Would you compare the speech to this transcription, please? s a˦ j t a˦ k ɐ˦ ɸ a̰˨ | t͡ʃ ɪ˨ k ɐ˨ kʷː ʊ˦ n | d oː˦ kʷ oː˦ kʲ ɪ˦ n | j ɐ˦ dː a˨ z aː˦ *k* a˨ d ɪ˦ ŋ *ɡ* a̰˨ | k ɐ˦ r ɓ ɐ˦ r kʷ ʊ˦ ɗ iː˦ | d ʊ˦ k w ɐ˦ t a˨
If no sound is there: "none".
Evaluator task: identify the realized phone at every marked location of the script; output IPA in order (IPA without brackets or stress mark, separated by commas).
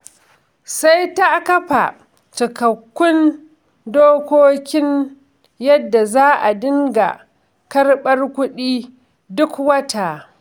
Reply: ʔ, ɡ